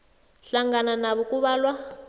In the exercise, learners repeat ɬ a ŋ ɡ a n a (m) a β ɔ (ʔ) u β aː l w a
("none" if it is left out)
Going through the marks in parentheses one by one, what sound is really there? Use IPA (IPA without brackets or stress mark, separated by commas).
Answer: n, k